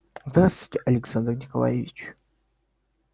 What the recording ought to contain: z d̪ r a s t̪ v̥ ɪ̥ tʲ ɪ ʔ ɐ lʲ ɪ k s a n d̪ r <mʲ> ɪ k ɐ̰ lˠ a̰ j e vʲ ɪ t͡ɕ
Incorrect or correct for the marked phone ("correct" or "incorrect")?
incorrect